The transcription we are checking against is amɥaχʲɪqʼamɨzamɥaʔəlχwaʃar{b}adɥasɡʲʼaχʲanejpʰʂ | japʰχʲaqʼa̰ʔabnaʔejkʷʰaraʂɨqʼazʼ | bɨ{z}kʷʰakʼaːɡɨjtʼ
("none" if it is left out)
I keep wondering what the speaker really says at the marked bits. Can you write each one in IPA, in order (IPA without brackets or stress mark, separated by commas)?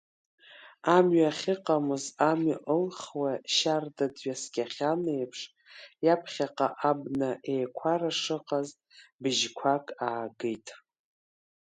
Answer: d, ʒ